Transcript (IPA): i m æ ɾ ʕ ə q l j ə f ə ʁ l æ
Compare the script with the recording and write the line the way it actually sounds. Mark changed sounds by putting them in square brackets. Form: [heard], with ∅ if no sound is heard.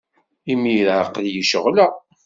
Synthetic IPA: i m [i] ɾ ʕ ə q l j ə [ʃ] ə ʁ l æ